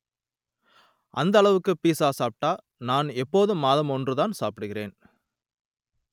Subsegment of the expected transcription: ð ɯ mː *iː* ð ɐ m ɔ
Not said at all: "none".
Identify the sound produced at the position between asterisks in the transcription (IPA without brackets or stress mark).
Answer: aː